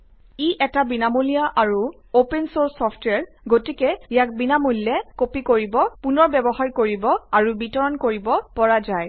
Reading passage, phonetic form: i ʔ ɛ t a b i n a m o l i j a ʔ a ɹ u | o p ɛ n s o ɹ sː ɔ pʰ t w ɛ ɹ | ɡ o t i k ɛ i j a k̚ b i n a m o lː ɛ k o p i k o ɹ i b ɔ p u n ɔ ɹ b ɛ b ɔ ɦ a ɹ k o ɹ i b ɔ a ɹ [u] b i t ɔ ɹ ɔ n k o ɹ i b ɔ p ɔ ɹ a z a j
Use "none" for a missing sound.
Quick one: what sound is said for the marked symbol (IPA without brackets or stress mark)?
u